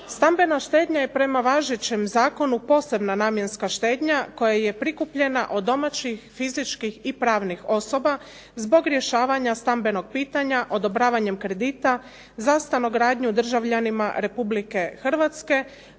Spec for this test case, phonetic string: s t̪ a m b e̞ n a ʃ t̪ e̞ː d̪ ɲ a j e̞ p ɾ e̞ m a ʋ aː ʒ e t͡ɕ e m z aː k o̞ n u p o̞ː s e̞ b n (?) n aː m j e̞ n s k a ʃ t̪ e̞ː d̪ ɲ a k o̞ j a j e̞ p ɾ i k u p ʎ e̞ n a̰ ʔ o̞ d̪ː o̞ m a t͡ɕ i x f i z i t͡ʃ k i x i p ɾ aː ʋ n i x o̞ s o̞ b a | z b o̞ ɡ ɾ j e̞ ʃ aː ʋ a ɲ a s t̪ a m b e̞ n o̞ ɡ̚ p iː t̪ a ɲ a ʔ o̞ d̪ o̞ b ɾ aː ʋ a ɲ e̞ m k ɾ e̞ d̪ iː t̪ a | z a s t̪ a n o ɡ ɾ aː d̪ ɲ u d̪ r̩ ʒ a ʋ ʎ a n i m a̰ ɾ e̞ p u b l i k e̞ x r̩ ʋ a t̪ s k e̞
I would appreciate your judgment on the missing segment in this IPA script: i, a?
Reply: a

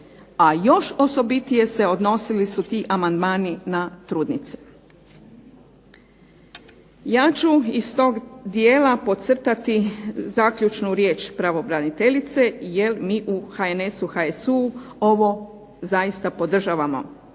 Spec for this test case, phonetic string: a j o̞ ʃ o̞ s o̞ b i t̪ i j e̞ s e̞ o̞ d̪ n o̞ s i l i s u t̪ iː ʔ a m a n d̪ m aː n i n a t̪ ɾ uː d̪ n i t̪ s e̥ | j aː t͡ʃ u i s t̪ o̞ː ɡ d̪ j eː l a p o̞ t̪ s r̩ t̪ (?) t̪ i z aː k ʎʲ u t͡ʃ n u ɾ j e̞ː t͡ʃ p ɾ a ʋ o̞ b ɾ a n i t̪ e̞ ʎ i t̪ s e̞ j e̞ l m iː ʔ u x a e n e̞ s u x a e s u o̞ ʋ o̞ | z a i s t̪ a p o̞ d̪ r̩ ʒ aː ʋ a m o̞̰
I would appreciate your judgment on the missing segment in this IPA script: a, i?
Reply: a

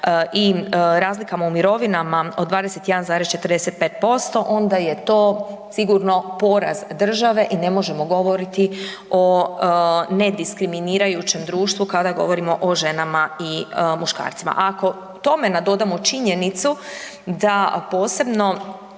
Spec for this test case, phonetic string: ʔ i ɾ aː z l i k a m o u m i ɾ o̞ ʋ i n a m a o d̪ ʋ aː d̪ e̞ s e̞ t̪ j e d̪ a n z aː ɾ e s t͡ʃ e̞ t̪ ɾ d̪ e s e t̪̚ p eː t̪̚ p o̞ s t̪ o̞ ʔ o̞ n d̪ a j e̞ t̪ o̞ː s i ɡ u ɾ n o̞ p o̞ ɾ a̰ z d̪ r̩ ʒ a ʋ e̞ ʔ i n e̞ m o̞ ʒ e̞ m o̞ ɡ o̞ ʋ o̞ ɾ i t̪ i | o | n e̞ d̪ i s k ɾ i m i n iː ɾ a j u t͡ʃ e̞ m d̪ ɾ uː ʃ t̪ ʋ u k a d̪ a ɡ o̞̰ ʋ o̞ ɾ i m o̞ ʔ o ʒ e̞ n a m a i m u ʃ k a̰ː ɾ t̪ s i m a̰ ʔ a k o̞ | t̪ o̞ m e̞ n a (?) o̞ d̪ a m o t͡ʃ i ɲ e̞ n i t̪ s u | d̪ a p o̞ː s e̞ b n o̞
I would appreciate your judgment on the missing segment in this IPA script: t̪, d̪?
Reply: d̪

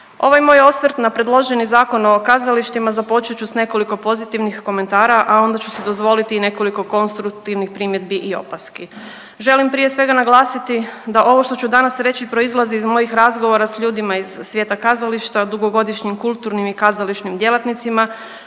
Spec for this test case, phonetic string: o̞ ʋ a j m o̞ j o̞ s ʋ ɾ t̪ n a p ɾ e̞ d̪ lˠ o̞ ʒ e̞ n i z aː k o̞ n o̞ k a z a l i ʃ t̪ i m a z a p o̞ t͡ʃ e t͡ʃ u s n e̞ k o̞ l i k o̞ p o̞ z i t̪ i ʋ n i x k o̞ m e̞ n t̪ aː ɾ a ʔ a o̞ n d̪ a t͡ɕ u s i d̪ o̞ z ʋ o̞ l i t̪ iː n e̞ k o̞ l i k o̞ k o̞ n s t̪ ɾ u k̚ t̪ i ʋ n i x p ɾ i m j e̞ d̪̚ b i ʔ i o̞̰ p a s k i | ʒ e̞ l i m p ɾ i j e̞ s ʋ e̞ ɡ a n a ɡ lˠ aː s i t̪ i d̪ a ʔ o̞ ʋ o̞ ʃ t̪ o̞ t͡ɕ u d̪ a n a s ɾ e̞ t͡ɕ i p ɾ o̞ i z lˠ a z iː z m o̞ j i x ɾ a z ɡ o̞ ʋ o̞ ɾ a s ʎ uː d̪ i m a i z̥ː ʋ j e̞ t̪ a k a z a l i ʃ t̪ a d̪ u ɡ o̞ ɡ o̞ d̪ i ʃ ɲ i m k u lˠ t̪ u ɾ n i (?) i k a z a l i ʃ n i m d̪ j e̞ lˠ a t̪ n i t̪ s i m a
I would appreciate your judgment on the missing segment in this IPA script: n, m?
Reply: m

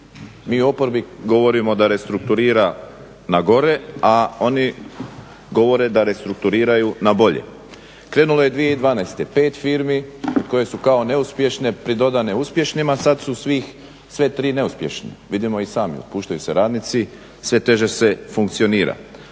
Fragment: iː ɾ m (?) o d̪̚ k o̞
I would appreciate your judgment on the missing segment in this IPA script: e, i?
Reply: i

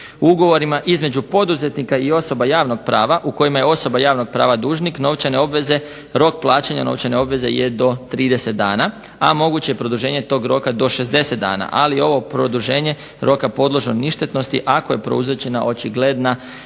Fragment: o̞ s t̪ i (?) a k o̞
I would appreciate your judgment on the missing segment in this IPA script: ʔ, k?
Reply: ʔ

